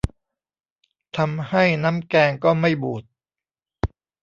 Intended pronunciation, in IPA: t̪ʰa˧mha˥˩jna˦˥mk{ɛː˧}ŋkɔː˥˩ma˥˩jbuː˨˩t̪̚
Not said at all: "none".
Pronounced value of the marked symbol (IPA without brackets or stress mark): ɛː˧